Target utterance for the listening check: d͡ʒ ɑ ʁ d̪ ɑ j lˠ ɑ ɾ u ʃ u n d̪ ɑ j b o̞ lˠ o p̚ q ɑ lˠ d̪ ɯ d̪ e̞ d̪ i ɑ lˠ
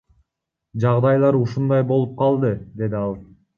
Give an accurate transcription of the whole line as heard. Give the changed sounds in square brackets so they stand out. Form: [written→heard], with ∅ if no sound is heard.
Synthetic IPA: d͡ʒ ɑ ʁ d̪ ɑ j lˠ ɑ ɾ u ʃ u n d̪ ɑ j b o̞ lˠ [o→u] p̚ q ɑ lˠ d̪ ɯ d̪ e̞ d̪ i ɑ lˠ